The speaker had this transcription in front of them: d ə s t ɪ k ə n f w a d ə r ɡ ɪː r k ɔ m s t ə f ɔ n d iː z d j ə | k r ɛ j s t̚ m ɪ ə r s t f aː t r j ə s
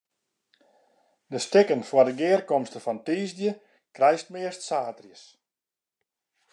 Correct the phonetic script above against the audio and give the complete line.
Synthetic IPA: d ə s t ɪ k ə n f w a d ə ɡ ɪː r k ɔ m s t ə f ɔ n t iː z d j ə | k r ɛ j s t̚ m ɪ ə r s t s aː t r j ə s

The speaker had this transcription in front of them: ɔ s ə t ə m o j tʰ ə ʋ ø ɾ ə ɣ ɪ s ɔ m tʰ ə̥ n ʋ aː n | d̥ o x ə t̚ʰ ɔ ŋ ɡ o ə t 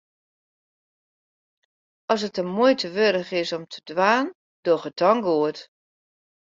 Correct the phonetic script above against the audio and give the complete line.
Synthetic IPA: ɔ s ə t ə m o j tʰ ə ʋ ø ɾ ə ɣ ɪ s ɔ m tʰ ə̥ d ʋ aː n | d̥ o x ə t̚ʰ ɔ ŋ ɡ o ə t

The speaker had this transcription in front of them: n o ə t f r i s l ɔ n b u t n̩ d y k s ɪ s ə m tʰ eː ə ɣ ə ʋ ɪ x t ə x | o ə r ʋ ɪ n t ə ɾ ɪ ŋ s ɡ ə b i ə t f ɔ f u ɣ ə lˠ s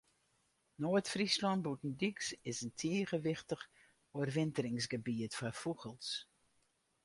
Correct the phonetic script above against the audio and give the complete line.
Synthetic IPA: n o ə t f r i s l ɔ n b u t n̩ d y k s ɪ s ə n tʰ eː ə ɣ ə ʋ ɪ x t ə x | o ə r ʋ ɪ n t ə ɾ ɪ ŋ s ɡ ə b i ə t f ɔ f u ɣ ə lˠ s

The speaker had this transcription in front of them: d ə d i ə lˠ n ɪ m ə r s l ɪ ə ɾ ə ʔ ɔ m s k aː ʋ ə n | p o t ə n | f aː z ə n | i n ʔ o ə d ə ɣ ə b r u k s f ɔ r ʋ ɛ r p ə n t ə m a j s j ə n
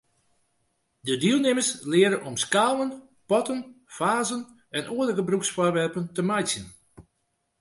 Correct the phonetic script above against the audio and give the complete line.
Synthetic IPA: d ə d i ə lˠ n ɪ m ə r s l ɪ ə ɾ ə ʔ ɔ m s k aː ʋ ə n | p ɔ t ə n | f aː z ə n | ɛ n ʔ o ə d ə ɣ ə b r u k s f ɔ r ʋ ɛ r p ə n t ə m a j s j ə n

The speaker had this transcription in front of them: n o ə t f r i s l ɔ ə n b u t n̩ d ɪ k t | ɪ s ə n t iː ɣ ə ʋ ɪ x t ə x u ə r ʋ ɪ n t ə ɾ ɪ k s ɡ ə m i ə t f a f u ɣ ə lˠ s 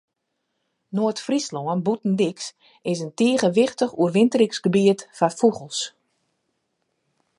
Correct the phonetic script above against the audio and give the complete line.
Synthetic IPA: n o ə t f r i s l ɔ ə n b u t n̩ d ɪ k s | ɪ s ə n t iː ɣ ə ʋ ɪ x t ə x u ə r ʋ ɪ n t ə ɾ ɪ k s ɡ ə b i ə t f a f u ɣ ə lˠ s

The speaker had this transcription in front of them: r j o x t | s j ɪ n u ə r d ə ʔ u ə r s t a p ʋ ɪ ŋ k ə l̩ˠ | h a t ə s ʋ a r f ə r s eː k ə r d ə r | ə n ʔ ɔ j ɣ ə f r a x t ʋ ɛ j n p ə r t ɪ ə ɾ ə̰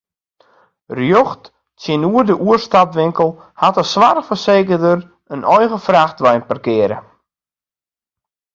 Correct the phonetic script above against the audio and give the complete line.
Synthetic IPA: r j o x t | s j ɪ n u ə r d ə ʔ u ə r s t a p ʋ ɪ ŋ k ə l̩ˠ | h a t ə s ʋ a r f ə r s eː k ə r d ə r | ə n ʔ ɔ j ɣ ə f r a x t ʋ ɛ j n p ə r k ɪ ə ɾ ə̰

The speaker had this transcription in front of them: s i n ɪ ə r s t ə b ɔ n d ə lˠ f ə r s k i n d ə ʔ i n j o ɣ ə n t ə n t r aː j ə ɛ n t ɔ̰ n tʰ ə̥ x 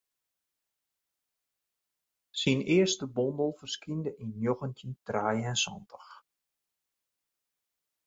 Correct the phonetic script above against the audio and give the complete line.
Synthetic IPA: s i n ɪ ə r s t ə b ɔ n d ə lˠ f ə r s k i n d ə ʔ i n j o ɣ ə n t ə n t r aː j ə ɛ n s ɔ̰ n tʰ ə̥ x

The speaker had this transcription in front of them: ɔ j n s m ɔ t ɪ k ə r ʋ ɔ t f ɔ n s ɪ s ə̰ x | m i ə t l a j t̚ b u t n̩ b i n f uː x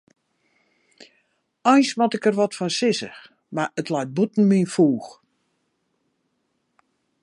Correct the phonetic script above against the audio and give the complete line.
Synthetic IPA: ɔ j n s m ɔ t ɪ k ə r ʋ ɔ t f ɔ n s ɪ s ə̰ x | m a ə t l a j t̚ b u t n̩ m i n f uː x

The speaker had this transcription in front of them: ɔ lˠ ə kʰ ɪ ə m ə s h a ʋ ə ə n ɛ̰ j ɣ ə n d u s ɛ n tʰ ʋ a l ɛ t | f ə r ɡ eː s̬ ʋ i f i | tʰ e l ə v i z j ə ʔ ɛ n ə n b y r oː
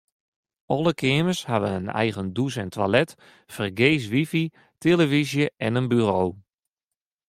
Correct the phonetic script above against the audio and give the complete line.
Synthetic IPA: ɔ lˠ ə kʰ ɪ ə m ə s h a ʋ ə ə n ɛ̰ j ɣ ə n d u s ɛ n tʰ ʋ a l ɛ t | f ə r ɡ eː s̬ ʋ i f i | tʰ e l ə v i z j ə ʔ ɛ n ə n b y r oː

